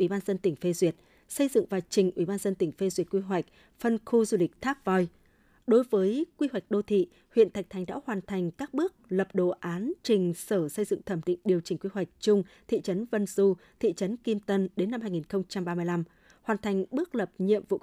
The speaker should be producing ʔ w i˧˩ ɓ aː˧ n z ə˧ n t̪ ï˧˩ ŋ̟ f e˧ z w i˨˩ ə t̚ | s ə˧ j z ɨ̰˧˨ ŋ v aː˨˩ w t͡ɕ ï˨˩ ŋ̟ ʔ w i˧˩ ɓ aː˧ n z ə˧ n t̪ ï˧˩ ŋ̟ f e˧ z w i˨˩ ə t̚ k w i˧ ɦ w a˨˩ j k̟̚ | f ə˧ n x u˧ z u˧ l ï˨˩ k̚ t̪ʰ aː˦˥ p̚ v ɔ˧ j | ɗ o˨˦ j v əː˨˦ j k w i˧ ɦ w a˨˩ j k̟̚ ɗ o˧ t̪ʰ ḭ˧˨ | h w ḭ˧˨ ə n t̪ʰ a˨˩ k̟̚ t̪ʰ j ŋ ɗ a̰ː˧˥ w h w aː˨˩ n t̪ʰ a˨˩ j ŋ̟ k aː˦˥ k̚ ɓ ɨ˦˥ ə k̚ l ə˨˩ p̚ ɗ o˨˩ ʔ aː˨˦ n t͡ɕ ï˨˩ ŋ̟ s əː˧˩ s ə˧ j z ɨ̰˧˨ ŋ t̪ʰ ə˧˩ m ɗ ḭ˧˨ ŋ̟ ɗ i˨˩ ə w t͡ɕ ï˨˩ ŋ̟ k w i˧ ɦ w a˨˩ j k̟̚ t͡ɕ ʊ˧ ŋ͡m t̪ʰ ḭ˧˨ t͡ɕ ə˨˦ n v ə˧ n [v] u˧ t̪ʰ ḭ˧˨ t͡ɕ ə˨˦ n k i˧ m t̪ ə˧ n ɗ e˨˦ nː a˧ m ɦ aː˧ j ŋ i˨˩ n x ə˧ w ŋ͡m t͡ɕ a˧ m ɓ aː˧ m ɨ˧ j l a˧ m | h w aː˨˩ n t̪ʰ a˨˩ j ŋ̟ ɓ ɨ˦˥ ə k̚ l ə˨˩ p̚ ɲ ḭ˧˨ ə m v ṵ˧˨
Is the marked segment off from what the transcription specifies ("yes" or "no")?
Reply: yes